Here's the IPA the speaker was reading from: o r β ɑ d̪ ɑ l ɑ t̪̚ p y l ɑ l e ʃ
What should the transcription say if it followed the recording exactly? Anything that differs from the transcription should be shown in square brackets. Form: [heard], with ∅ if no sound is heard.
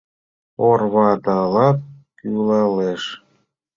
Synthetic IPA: o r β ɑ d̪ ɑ l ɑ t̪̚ [k] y l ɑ l e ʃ